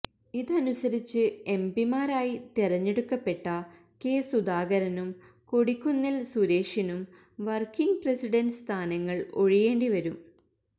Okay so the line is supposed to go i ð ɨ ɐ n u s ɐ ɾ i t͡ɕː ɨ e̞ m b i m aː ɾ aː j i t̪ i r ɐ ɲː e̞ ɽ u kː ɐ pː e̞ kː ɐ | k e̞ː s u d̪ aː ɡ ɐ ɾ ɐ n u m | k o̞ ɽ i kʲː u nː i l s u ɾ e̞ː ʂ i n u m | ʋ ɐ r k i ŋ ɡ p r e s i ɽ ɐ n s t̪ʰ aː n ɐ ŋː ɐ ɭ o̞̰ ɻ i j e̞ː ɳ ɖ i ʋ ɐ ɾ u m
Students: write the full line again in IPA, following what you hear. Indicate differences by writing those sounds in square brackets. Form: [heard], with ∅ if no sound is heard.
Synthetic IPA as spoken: i ð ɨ ɐ n u s ɐ ɾ i t͡ɕː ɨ e̞ m b i m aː ɾ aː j i t̪ i r ɐ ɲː e̞ ɽ u kː ɐ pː e̞ [ʈː] ɐ | k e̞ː s u d̪ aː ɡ ɐ ɾ ɐ n u m | k o̞ ɽ i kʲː u nː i l s u ɾ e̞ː ʂ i n u m | ʋ ɐ r k i ŋ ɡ p r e s i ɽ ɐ n s t̪ʰ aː n ɐ ŋː ɐ ɭ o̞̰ ɻ i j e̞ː ɳ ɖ i ʋ ɐ ɾ u m